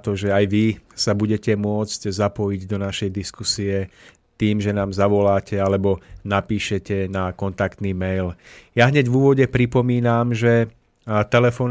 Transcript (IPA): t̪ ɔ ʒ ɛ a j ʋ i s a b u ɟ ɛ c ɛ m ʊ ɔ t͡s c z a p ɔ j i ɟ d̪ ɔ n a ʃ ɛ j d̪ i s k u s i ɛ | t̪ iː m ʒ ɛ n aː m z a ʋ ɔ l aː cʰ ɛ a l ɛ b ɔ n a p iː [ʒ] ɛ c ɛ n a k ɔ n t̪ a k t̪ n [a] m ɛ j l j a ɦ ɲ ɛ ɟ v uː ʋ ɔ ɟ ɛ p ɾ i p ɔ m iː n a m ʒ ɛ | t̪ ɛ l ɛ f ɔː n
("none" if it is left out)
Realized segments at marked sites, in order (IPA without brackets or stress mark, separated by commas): ʃ, i